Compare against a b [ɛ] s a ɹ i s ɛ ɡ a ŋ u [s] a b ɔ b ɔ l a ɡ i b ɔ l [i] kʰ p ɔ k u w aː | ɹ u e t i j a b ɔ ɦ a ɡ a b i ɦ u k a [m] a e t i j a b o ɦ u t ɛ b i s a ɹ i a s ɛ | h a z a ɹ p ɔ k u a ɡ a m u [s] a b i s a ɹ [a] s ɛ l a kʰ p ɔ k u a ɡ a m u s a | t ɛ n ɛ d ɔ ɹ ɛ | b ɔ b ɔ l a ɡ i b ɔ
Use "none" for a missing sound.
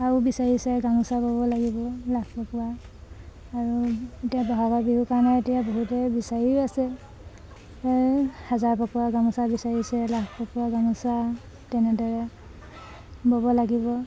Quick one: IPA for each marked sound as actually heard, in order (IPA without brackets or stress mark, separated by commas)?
i, s, a, n, s, i